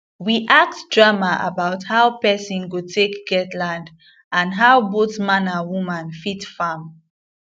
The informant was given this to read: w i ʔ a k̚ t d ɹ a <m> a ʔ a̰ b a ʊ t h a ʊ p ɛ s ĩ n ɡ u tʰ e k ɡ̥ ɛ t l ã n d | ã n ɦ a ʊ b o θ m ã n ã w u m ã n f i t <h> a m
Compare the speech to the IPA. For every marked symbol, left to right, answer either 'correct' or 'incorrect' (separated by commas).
correct, incorrect